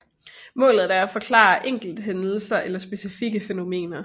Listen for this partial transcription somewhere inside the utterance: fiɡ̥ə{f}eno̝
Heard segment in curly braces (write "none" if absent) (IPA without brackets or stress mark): f